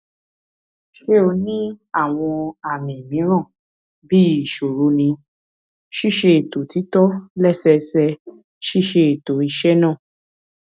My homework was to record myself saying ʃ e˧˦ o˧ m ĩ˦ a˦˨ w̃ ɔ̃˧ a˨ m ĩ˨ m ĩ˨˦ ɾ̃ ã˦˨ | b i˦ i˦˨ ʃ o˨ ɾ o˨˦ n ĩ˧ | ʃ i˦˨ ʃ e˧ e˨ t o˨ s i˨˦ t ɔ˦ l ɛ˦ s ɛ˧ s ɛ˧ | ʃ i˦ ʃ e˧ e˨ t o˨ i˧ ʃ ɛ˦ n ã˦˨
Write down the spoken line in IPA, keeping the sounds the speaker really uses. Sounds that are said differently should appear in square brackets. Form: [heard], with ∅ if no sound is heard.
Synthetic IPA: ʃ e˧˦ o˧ [n] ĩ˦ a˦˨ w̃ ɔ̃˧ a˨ m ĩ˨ m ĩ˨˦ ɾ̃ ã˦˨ | b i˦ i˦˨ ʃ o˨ ɾ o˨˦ n ĩ˧ | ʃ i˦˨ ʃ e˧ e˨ t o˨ [t] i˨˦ t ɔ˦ l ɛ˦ s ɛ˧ s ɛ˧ | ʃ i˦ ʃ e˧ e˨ t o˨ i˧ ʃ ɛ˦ n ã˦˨

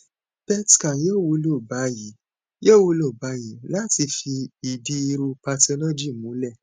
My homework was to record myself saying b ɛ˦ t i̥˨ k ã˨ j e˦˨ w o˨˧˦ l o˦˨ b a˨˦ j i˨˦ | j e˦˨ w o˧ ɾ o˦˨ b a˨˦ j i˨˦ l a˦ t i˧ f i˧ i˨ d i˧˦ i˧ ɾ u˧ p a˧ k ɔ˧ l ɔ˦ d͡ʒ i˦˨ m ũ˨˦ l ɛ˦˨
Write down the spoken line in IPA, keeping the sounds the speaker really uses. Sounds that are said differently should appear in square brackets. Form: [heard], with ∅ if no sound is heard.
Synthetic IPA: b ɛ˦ t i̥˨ k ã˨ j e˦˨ w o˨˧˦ l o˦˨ b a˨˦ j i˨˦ | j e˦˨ w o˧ [l] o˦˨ b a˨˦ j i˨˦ l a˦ t i˧ f i˧ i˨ d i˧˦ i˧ ɾ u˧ p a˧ [t] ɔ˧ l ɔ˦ d͡ʒ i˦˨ m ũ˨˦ l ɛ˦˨

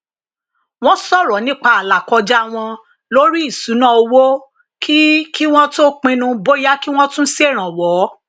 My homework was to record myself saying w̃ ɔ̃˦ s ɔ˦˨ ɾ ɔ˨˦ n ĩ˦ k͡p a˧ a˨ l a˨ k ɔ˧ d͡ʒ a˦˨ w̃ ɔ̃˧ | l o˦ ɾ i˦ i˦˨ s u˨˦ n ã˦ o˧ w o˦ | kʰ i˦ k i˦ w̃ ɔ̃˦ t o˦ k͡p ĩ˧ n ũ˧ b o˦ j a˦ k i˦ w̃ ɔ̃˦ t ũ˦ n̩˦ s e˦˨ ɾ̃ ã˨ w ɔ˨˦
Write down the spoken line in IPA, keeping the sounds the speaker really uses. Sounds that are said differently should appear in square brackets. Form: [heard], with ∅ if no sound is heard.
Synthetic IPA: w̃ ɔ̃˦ s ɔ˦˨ ɾ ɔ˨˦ n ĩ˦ k͡p a˧ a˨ l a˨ k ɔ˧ d͡ʒ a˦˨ w̃ ɔ̃˧ | l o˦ ɾ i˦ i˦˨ s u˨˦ n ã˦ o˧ w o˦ | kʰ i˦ k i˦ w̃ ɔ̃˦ t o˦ k͡p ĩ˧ n ũ˧ b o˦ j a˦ k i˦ w̃ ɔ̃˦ t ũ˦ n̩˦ s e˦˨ ɾ̃ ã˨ w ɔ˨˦

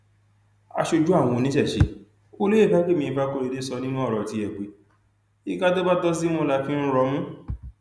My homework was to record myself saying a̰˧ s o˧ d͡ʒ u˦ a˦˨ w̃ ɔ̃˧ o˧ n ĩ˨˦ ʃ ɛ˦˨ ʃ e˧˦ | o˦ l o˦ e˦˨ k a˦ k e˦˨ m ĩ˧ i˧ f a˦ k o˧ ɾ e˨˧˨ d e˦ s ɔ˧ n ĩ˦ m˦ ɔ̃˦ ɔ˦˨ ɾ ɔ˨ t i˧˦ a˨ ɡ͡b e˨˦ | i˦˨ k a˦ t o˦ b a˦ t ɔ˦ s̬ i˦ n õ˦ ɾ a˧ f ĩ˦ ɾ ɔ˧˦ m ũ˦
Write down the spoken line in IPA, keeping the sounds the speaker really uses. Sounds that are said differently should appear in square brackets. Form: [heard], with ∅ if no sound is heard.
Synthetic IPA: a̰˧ [ʃ] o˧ d͡ʒ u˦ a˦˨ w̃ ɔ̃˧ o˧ n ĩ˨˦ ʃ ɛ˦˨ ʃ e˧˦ | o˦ l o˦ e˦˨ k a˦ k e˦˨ m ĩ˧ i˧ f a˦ k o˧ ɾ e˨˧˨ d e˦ s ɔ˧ n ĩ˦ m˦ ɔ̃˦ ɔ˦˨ ɾ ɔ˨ t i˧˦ [ɛ˨] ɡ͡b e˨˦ | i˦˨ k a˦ t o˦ b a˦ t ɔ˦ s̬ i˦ [m] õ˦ [l] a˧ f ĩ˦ ɾ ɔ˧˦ m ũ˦

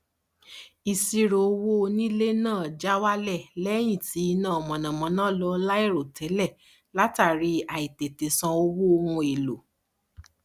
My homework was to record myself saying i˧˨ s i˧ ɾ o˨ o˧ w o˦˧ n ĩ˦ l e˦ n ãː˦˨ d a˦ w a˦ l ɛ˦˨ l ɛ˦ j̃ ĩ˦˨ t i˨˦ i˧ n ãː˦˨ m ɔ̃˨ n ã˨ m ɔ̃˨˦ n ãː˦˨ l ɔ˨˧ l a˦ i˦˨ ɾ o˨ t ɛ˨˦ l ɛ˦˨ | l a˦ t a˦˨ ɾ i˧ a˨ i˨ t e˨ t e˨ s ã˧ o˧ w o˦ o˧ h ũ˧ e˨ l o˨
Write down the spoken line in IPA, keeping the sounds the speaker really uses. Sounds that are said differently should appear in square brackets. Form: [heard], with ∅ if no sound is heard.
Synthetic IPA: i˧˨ s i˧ ɾ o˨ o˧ w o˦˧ n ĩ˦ l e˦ n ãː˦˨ [d͡ʒ] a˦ w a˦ l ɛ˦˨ l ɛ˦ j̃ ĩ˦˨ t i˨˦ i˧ n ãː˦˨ m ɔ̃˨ n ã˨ m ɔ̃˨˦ n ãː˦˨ l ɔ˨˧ l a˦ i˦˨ ɾ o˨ t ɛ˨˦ l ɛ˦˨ | l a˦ t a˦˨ ɾ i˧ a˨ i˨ t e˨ t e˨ s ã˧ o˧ w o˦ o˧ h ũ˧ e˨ l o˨

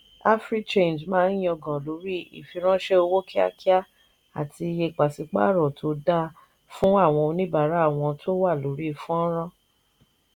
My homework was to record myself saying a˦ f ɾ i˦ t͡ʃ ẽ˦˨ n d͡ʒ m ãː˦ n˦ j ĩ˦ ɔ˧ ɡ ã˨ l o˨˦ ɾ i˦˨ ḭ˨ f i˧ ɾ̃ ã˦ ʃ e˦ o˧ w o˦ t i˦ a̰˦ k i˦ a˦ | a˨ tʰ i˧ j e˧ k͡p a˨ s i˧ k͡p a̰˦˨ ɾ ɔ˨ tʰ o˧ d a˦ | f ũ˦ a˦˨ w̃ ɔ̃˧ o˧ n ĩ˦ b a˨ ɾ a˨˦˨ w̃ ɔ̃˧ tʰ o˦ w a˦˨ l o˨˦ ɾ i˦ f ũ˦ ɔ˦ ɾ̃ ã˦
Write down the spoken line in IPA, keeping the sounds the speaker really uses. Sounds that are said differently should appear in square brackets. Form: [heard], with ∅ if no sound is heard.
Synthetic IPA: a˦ f ɾ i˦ t͡ʃ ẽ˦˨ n d͡ʒ m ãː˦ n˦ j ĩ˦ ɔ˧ ɡ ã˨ l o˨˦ ɾ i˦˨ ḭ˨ f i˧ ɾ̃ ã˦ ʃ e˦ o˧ w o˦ [k] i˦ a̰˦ k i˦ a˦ | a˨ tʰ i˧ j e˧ k͡p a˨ s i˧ k͡p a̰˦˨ ɾ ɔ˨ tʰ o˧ d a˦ | f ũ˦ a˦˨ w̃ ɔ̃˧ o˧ n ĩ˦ b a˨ ɾ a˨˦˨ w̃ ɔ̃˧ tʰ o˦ w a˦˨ l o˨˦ ɾ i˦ f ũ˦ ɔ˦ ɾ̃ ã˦

